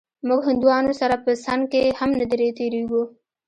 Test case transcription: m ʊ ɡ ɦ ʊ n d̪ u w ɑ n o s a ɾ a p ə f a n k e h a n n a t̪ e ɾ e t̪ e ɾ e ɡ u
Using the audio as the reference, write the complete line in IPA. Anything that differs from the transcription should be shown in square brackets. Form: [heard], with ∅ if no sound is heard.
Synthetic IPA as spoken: m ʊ ɡ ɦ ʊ n d̪ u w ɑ n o s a ɾ a p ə [s] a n k e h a [m] n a [d̪] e ɾ e t̪ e ɾ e ɡ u